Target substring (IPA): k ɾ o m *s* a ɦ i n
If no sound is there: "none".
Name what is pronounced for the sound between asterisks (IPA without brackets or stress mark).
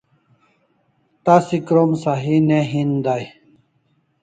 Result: s